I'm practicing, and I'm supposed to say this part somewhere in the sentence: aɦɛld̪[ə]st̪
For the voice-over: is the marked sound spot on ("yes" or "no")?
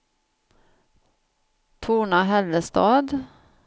yes